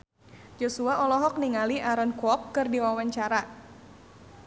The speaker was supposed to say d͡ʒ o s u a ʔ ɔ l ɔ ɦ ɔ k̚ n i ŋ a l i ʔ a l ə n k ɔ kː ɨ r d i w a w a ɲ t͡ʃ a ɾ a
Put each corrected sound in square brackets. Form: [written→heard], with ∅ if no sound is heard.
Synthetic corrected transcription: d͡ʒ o s u a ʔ ɔ l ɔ ɦ ɔ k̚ n i ŋ a l i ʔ a [l→ɾ] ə n k ɔ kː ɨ r d i w a w a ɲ t͡ʃ a ɾ a